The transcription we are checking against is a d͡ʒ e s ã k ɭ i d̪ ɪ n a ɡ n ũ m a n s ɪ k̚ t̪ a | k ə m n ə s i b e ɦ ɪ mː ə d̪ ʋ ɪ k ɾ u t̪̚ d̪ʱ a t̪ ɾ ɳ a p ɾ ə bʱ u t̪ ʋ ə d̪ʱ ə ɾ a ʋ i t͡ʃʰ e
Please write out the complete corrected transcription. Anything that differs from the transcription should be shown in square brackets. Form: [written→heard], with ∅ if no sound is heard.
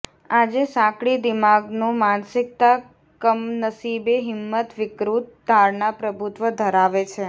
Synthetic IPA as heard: a d͡ʒ e s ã k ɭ i d̪ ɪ [n→m] a ɡ n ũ m a n s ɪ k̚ t̪ a | k ə m n ə s i b e ɦ ɪ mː ə [d̪→t̪] ʋ ɪ k ɾ u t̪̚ d̪ʱ a [t̪→∅] ɾ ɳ a p ɾ ə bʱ u t̪ ʋ ə d̪ʱ ə ɾ a ʋ [i→e] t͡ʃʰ e